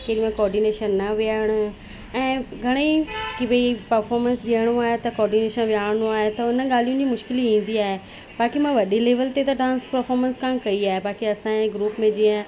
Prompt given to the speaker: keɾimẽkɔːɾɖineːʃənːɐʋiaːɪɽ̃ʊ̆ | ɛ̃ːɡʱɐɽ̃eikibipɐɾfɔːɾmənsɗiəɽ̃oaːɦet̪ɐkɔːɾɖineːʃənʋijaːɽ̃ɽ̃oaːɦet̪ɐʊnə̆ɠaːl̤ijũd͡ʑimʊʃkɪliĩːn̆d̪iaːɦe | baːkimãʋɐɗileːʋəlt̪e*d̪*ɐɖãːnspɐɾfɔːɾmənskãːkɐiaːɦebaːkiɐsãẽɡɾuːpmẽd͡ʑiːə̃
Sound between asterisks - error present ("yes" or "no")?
yes